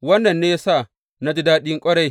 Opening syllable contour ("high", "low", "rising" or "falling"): high